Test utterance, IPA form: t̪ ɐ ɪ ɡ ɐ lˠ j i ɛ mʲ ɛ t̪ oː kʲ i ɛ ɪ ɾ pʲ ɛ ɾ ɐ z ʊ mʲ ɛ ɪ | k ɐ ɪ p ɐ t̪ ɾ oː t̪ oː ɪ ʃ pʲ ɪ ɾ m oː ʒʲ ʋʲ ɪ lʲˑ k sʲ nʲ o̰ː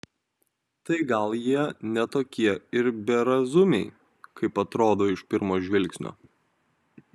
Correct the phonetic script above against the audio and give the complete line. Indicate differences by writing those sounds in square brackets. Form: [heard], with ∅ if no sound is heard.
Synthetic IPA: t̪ ɐ ɪ ɡ ɐ lˠ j i ɛ [nʲ] ɛ t̪ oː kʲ i ɛ ɪ ɾ [bʲ] ɛ ɾ ɐ z ʊ mʲ ɛ ɪ | k ɐ ɪ p ɐ t̪ ɾ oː [d̪] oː ɪ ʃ pʲ ɪ ɾ m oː ʒʲ ʋʲ ɪ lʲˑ k sʲ nʲ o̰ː

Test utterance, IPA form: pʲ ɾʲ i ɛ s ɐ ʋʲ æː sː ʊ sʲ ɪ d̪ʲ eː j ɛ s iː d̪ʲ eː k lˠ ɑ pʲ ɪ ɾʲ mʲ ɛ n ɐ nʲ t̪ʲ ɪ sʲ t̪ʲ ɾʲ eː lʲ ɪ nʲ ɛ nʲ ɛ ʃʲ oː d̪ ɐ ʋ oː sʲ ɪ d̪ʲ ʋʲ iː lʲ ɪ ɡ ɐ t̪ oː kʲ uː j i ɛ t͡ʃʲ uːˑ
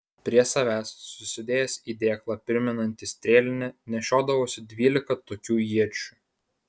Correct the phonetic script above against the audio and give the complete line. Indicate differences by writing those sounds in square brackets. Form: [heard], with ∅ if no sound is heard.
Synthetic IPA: pʲ ɾʲ i ɛ s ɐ ʋʲ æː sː ʊ sʲ ɪ d̪ʲ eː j ɛ s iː d̪ʲ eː k lˠ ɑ pʲ ɪ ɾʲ mʲ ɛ n ɐ nʲ t̪ʲ ɪ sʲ t̪ʲ ɾʲ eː lʲ ɪ nʲ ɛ nʲ ɛ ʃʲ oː d̪ ɐ ʋ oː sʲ ɪ d̪ʲ ʋʲ iː lʲ ɪ [k] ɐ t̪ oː kʲ uː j i ɛ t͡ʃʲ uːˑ

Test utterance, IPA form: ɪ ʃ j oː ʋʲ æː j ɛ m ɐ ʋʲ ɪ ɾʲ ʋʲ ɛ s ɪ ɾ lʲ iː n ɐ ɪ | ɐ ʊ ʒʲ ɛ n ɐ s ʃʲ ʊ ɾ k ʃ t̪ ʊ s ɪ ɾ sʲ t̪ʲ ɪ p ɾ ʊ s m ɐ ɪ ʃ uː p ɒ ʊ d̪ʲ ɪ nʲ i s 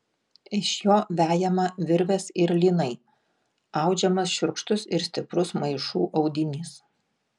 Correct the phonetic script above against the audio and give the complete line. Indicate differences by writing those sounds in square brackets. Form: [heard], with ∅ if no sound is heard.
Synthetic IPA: ɪ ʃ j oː ʋʲ æː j ɛ m ɐ ʋʲ ɪ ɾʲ ʋʲ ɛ s ɪ ɾ lʲ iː n ɐ ɪ | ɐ ʊ [d͡ʒʲ] ɛ [m] ɐ s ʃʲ ʊ ɾ k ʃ t̪ ʊ s ɪ ɾ sʲ t̪ʲ ɪ p ɾ ʊ s m ɐ ɪ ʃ uː [ʔ] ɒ ʊ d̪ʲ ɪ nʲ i s

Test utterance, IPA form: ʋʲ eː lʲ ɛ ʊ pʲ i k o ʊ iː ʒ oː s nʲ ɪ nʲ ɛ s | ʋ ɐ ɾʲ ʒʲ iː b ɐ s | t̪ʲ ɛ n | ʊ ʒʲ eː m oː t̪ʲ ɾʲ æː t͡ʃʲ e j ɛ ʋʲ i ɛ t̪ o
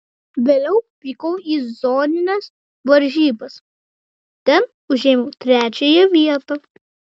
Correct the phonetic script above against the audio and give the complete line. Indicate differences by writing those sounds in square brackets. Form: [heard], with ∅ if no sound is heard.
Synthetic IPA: ʋʲ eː lʲ ɛ ʊ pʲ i k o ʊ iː [z] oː [∅] nʲ ɪ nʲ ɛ s | ʋ ɐ ɾʲ ʒʲ iː b ɐ s | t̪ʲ ɛ n | ʊ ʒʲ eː m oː t̪ʲ ɾʲ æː t͡ʃʲ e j ɛ ʋʲ i ɛ t̪ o

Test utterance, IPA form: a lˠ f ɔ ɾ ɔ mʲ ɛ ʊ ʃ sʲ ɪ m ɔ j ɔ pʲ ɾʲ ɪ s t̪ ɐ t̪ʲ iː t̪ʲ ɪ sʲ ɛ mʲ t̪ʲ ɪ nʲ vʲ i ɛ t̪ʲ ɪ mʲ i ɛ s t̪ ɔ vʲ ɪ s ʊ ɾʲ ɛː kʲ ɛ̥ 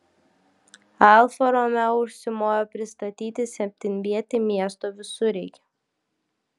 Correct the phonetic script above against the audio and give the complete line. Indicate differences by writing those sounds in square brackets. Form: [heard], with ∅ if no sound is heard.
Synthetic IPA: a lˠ f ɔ ɾ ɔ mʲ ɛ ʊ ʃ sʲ ɪ m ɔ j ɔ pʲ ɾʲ ɪ s t̪ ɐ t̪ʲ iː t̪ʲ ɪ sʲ ɛ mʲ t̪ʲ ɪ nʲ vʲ i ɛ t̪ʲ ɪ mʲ i ɛ s t̪ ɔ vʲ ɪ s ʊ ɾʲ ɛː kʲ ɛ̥

